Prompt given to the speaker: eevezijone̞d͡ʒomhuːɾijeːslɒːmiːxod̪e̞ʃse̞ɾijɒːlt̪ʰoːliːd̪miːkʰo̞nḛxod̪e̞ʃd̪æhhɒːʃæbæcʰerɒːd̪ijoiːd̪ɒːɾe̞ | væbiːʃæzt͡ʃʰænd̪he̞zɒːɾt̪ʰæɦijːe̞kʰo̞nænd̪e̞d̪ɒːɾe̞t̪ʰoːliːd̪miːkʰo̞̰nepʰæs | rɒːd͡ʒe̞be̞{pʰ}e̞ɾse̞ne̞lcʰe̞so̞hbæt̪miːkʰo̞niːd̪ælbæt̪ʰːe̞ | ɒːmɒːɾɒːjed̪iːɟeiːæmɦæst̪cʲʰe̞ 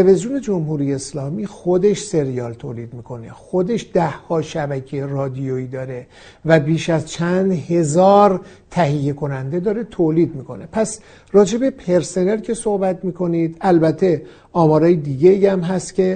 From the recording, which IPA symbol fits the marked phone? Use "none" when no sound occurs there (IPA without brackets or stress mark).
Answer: pʰ